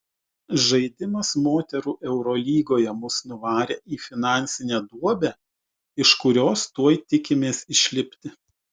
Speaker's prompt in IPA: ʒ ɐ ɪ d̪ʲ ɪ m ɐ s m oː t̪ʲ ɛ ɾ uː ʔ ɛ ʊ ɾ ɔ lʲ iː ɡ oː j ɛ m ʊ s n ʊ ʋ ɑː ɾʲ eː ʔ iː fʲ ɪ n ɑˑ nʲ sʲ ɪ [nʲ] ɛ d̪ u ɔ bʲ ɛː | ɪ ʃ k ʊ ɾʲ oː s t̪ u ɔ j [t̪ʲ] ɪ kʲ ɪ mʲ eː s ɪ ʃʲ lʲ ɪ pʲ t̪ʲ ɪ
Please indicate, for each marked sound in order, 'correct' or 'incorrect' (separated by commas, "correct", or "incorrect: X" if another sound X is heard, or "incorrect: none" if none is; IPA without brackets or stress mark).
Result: correct, correct